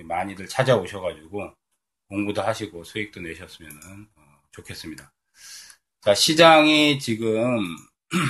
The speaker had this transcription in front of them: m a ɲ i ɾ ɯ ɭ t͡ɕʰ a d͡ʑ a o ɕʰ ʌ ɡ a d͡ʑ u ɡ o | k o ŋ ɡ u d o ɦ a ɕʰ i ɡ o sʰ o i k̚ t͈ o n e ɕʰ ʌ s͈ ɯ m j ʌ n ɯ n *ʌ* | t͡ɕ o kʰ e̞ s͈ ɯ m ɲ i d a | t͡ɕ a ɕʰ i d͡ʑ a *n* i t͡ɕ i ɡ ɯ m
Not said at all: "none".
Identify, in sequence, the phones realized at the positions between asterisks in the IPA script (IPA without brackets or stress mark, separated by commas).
ʌ, ŋ